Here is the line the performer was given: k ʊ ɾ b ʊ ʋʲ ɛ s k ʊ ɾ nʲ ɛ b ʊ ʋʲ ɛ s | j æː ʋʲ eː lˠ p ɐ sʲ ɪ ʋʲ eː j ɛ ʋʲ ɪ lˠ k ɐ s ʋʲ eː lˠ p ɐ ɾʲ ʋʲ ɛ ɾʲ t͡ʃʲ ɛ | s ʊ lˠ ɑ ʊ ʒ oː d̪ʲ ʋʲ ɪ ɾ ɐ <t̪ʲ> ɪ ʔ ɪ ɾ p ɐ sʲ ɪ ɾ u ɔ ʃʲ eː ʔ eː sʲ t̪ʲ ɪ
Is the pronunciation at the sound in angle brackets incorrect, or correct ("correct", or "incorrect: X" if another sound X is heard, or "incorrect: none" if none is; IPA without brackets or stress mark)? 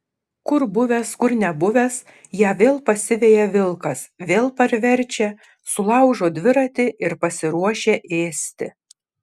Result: correct